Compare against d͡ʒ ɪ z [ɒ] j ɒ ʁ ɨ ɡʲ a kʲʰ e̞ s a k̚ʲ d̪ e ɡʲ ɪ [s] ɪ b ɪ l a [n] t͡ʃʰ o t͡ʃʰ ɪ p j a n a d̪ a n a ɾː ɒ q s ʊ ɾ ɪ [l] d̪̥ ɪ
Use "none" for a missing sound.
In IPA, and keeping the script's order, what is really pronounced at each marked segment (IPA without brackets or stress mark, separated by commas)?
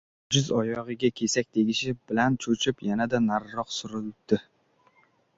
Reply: ɒ, ʃ, n, l